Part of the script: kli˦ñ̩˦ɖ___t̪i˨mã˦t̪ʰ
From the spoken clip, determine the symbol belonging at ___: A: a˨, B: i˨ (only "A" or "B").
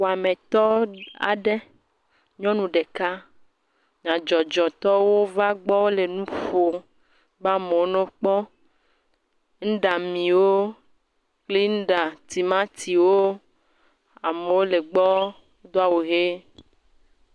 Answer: A